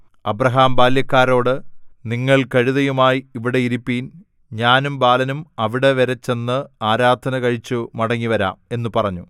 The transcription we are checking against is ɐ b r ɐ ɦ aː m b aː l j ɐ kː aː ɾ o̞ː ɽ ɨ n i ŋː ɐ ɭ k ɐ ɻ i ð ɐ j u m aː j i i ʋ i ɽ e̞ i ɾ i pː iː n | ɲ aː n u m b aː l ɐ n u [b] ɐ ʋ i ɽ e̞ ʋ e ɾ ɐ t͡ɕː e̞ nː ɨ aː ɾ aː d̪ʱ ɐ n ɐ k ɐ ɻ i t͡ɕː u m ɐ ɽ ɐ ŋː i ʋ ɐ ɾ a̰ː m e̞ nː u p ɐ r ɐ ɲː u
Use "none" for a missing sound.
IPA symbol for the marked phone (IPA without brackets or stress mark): m